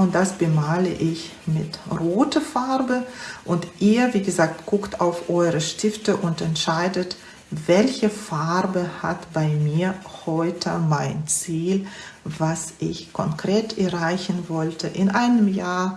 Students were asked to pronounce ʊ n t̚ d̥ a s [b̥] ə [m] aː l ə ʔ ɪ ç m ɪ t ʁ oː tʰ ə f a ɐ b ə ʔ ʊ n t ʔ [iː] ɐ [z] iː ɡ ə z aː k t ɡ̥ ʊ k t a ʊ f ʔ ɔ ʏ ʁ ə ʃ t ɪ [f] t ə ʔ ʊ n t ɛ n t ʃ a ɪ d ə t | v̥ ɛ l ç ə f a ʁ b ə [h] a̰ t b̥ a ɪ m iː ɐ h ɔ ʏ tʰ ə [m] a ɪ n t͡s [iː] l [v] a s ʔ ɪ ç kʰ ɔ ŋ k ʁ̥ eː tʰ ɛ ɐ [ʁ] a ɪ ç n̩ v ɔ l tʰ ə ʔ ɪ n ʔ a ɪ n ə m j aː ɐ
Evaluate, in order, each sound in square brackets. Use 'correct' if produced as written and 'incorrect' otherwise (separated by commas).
correct, correct, correct, incorrect, correct, correct, correct, correct, correct, correct